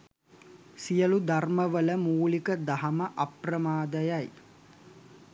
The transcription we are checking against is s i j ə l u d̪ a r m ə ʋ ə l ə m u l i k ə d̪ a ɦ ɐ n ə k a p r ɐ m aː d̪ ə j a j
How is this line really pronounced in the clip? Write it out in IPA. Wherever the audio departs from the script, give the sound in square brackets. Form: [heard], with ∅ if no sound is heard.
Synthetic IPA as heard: s i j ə l u d̪ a r m ə ʋ ə l ə m [uː] l i k ə d̪ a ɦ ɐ [m] ə [ʔ] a p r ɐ m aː d̪ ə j a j

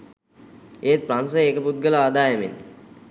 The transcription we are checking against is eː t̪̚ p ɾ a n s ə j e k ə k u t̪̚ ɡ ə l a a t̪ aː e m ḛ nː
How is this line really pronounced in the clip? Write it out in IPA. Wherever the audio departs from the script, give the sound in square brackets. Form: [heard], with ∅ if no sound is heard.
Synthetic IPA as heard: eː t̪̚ p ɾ a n s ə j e k ə [p] u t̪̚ ɡ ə l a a [d̪] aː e m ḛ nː

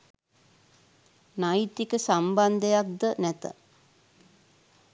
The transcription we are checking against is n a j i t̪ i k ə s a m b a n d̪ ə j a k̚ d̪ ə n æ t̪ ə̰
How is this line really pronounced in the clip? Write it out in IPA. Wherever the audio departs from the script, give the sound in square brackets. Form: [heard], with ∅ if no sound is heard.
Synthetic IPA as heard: n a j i t̪ i k ə s a m b a n d̪ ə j a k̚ d̪ ə n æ t̪ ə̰

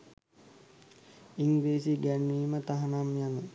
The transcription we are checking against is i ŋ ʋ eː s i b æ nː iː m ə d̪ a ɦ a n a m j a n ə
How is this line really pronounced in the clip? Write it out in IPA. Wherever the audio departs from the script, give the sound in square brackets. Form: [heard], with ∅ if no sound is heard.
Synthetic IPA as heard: i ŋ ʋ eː s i [ɡ] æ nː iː m ə [t̪] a ɦ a n a m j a n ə

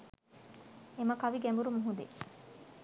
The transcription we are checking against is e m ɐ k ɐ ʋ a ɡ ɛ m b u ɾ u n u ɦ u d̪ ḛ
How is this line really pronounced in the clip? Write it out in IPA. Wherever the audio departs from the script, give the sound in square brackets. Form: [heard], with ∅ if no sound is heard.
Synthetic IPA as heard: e m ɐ k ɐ ʋ [i] ɡ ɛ m b u ɾ u [m] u ɦ u d̪ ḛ

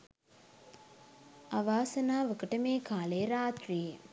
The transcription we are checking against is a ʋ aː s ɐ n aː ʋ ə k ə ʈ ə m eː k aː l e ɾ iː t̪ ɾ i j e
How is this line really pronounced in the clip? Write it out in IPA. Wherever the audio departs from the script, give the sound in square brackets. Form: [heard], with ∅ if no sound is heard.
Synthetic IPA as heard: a ʋ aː s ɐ n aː ʋ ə k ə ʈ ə m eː k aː l e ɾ [aː] t̪ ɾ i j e

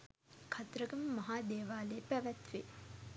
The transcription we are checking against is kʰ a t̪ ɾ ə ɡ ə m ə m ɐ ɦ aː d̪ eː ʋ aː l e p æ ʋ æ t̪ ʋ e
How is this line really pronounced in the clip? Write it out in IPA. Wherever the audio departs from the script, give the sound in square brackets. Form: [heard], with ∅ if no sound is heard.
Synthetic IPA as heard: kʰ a t̪ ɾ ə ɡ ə m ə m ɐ ɦ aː d̪ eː ʋ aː l e p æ ʋ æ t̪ ʋ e

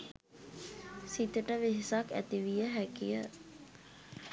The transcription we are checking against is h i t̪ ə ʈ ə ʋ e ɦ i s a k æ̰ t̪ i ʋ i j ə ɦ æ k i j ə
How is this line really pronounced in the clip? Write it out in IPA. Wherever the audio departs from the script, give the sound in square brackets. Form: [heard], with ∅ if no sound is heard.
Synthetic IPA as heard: [s] i t̪ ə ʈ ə ʋ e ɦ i s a k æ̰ t̪ i ʋ i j ə ɦ æ k i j ə

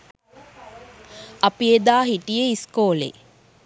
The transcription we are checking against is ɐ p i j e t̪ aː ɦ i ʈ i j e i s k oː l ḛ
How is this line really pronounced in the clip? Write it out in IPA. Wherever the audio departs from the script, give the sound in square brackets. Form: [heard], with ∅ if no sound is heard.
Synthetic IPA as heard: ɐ p i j e [d̪] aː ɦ i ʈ i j e i s k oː l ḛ

